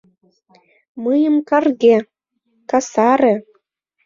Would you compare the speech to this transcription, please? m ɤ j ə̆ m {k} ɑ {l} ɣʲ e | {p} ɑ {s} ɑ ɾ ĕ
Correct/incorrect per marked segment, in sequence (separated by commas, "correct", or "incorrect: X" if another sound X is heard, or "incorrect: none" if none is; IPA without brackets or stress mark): correct, incorrect: r, incorrect: k, correct